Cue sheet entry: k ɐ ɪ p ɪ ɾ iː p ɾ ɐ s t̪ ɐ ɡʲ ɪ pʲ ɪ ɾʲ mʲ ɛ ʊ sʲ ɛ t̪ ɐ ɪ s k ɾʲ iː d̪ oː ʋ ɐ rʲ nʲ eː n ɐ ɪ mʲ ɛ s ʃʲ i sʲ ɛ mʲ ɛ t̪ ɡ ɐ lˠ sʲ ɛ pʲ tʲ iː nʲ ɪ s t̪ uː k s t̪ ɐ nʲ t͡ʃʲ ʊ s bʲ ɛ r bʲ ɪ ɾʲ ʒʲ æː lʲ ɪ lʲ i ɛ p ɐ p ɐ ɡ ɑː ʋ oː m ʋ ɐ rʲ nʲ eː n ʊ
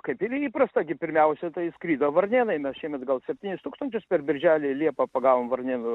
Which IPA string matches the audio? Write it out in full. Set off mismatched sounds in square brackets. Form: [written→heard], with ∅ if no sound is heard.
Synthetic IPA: k ɐ ɪ p ɪ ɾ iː p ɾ ɐ s t̪ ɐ ɡʲ ɪ pʲ ɪ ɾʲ mʲ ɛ ʊ sʲ ɛ t̪ ɐ ɪ s k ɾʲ iː d̪ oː ʋ ɐ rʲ nʲ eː n ɐ ɪ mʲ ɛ s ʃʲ i [sʲ→∅] ɛ mʲ ɛ t̪ ɡ ɐ lˠ sʲ ɛ pʲ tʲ iː nʲ ɪ s t̪ uː k s t̪ ɐ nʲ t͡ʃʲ ʊ s [bʲ→pʲ] ɛ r bʲ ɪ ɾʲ ʒʲ æː lʲ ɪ lʲ i ɛ p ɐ p ɐ ɡ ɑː ʋ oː m ʋ ɐ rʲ nʲ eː n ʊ